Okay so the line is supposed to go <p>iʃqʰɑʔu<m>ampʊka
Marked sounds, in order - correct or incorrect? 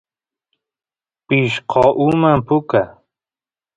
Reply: correct, correct

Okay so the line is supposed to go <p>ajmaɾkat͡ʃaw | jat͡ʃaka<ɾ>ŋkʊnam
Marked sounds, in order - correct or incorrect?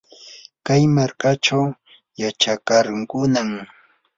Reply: incorrect: k, correct

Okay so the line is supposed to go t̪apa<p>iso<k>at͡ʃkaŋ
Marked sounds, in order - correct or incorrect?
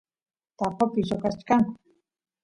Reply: correct, correct

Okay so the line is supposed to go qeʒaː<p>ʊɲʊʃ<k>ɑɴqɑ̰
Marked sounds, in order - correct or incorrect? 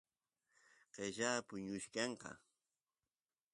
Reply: correct, correct

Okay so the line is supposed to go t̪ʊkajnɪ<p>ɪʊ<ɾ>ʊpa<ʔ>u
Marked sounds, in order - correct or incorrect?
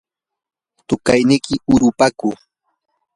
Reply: incorrect: k, correct, incorrect: k

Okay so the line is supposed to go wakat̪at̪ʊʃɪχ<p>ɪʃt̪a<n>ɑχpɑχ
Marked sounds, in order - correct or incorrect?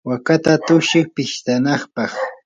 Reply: correct, correct

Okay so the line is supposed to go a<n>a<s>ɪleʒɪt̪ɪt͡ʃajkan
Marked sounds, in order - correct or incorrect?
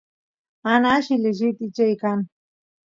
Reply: correct, incorrect: ʃ

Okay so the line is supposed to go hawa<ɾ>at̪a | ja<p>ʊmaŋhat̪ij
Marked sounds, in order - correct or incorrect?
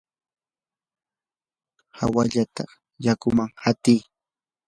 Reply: incorrect: ʎ, incorrect: k

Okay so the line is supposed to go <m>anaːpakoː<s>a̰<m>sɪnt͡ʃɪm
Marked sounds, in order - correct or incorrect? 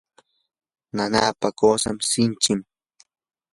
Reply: incorrect: n, correct, correct

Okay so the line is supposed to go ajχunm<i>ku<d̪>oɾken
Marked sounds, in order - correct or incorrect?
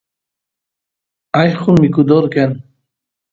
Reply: correct, correct

